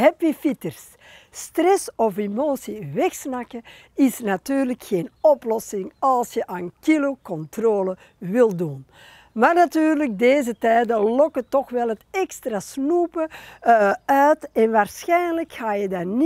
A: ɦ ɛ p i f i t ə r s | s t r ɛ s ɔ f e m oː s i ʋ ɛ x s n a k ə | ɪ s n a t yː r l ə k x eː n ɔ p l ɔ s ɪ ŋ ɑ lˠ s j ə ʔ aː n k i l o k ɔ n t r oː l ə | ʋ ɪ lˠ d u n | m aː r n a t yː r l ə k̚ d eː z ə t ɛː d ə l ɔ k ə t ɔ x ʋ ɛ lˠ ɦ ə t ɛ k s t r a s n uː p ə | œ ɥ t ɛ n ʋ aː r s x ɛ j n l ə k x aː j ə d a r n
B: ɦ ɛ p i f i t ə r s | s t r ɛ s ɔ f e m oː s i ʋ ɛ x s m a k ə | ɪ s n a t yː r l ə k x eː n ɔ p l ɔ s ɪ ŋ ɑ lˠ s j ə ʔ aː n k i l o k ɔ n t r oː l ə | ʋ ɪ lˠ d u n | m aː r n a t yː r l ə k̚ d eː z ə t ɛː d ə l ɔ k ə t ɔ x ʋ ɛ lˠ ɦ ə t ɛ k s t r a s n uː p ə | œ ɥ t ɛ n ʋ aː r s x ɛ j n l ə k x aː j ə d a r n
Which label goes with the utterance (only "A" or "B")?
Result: A